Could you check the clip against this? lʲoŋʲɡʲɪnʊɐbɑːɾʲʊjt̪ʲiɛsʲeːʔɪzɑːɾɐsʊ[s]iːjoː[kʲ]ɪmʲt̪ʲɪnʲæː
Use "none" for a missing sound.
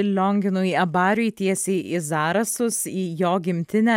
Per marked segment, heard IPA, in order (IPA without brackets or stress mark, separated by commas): s, ɡʲ